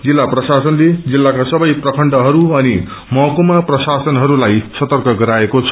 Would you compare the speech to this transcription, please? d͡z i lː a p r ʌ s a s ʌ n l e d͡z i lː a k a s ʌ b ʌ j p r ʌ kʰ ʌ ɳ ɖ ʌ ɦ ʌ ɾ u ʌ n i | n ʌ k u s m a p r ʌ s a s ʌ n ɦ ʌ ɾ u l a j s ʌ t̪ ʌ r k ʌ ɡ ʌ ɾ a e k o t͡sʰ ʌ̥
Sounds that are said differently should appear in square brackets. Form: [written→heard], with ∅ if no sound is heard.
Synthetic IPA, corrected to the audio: d͡z i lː a p r ʌ s a s ʌ n l e d͡z i lː a k a s ʌ b ʌ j p r ʌ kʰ ʌ ɳ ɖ ʌ ɦ ʌ ɾ u ʌ n i | [n→m] ʌ k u [s→∅] m a p r ʌ s a s ʌ n ɦ ʌ ɾ u l a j s ʌ t̪ ʌ r k ʌ ɡ ʌ ɾ a e k o t͡sʰ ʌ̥